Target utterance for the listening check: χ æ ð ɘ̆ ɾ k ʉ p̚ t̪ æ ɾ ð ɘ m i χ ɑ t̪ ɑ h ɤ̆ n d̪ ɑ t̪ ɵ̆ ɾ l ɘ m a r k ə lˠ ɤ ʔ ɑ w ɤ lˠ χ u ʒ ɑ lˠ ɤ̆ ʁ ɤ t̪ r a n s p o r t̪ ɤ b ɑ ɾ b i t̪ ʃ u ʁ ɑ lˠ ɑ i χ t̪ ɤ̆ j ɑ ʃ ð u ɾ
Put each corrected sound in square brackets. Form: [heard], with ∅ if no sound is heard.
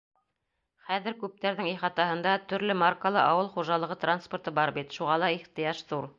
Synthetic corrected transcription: χ æ ð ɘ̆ ɾ k ʉ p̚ t̪ æ ɾ ð ɘ [ŋ] i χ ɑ t̪ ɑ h ɤ̆ n d̪ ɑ t̪ ɵ̆ ɾ l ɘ m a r k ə lˠ ɤ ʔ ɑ w ɤ lˠ χ u ʒ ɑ lˠ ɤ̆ ʁ ɤ t̪ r a n s p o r t̪ ɤ b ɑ ɾ b i t̪ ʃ u ʁ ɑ lˠ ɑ i χ t̪ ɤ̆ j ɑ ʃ ð u ɾ